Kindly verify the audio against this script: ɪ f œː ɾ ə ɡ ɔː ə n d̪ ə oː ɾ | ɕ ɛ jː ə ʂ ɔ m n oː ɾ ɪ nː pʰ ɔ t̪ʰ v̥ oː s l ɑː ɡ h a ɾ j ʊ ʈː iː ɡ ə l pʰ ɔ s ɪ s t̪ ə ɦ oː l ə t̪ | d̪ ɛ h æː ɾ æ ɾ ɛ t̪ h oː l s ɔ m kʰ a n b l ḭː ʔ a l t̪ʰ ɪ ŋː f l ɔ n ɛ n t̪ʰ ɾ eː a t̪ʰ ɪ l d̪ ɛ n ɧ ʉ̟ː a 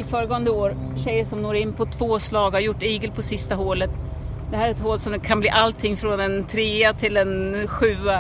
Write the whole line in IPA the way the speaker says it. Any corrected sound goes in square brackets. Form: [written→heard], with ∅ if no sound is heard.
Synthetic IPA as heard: ɪ f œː ɾ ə ɡ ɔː ə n d̪ ə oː ɾ | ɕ ɛ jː ə ʂ ɔ m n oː ɾ ɪ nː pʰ ɔ t̪ʰ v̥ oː s l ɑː ɡ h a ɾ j ʊ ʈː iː ɡ ə l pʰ ɔ s ɪ s t̪ [ə→a] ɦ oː l ə t̪ | d̪ ɛ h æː ɾ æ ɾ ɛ t̪ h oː l s ɔ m kʰ a n b l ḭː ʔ a l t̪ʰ ɪ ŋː f [l→ɾ] ɔ n ɛ n t̪ʰ ɾ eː a t̪ʰ ɪ l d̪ ɛ n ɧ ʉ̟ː a